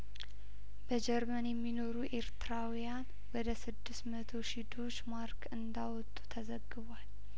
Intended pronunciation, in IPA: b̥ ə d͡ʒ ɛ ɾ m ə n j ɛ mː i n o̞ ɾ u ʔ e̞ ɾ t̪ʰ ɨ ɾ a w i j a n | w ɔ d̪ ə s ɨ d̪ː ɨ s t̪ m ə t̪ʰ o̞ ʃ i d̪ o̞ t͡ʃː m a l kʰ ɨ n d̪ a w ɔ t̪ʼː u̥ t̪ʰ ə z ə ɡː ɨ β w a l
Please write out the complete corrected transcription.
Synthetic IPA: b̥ ə d͡ʒ ɛ ɾ m ə n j ɛ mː i n o̞ ɾ u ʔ e̞ ɾ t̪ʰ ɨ ɾ a w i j a n | w ɔ d̪ ə s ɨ d̪ː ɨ s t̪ m ə t̪ʰ o̞ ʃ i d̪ o̞ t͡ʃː m a ɾ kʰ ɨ n d̪ a w ɔ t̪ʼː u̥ t̪ʰ ə z ə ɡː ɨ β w a l